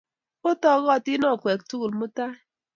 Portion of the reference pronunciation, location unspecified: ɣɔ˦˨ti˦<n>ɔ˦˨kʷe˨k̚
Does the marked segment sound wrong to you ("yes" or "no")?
no